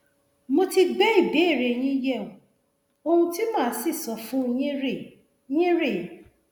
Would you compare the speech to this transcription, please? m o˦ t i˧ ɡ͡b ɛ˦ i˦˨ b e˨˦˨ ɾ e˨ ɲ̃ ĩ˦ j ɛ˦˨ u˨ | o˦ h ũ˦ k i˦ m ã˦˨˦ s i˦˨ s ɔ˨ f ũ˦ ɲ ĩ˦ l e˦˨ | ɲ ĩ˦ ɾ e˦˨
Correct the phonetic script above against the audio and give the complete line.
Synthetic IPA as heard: m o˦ t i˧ ɡ͡b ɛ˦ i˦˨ b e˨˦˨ ɾ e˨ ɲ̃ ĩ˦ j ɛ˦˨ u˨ | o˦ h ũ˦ t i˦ m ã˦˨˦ s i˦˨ s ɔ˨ f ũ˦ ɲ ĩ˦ ɾ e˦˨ | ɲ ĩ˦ ɾ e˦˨